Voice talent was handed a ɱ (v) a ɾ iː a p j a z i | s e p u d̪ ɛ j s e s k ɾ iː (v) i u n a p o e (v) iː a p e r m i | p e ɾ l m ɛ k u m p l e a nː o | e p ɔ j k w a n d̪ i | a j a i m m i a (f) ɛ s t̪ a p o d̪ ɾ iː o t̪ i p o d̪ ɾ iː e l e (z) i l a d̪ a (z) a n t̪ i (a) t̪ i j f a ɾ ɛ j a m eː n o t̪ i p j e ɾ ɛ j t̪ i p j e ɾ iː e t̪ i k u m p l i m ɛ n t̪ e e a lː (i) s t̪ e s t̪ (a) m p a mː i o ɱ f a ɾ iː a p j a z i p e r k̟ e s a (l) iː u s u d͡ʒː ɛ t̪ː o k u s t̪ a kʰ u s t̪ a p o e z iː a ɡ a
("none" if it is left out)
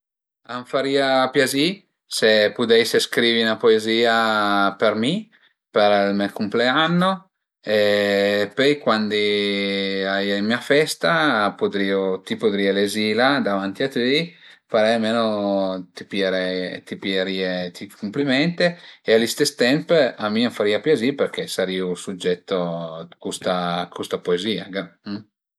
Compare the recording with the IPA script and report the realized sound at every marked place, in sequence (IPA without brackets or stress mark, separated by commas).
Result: f, v, z, f, z, v, a, i, ɛ, ɾ